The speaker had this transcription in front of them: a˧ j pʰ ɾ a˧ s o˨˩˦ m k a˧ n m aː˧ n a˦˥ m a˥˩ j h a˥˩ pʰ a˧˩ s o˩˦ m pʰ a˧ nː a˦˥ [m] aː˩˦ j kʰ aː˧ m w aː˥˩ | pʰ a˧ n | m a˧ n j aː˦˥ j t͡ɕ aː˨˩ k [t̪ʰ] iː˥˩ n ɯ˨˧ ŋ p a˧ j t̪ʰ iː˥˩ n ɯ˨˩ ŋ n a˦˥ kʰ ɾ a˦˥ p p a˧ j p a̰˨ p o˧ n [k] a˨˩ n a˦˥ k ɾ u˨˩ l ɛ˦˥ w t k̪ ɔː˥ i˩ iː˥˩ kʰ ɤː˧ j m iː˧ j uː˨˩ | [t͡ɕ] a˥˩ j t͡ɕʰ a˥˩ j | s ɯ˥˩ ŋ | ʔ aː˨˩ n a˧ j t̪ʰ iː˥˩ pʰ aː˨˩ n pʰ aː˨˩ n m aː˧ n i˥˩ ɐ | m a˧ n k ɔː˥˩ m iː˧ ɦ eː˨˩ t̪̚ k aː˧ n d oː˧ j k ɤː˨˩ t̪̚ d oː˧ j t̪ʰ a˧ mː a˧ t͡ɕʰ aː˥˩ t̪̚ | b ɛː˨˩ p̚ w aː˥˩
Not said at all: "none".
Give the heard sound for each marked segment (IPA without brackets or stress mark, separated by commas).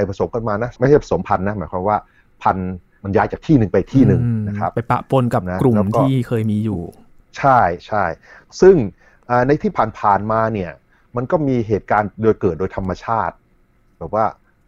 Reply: m, t̪ʰ, k, t͡ɕʰ